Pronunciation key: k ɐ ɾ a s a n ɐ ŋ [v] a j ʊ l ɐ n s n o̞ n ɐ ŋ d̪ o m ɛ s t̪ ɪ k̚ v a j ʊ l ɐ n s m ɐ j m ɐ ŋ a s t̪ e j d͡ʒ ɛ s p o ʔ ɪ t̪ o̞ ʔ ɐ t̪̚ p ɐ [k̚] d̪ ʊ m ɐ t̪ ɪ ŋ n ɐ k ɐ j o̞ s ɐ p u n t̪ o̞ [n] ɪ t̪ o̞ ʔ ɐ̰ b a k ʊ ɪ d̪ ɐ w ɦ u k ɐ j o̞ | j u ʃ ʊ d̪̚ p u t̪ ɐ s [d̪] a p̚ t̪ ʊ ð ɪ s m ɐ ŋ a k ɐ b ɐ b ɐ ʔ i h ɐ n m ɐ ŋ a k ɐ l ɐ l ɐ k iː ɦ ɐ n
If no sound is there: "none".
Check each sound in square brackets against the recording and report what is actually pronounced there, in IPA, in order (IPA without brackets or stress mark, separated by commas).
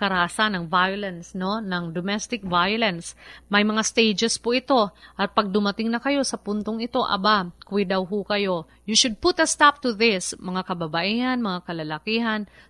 v, ɡ̚, ŋ, t̪